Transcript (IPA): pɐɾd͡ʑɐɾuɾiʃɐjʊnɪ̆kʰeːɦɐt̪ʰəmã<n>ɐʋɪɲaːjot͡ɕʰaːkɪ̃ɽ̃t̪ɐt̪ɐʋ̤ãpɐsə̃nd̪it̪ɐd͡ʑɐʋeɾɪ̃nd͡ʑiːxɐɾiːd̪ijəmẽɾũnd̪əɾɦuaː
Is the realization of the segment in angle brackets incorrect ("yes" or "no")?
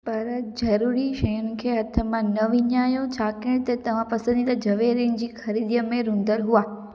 no